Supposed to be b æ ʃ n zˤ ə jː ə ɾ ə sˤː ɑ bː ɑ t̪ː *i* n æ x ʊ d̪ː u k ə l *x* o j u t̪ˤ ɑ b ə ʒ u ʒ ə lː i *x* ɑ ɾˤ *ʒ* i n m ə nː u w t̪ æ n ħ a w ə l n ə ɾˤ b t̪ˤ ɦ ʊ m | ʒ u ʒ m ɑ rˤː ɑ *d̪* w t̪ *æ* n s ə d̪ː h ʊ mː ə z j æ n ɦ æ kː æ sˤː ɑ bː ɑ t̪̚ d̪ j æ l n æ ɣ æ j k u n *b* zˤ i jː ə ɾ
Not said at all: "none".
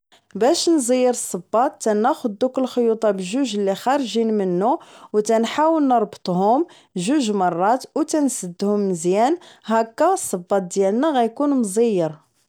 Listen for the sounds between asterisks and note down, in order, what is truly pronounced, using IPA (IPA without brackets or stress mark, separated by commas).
æ, x, x, ʒ, t̪, æ, m